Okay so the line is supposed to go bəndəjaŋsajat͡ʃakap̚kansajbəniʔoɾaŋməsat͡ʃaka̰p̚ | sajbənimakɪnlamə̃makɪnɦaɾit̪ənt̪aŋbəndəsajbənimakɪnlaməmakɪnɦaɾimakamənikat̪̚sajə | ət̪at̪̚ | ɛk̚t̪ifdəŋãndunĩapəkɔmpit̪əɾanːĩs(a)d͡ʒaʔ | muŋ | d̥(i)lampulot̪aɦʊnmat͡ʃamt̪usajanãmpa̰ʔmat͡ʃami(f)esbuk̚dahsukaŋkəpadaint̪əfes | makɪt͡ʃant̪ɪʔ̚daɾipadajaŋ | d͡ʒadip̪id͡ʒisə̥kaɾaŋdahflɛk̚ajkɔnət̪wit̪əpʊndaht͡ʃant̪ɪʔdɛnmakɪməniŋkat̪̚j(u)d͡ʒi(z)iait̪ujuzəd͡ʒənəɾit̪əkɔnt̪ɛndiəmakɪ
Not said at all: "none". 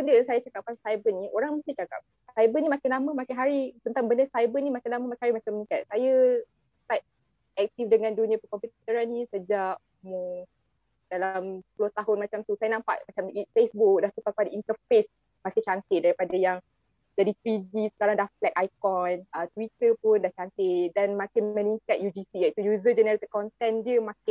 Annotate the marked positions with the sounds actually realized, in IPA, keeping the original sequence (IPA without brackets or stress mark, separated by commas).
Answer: ə, a, f, u, s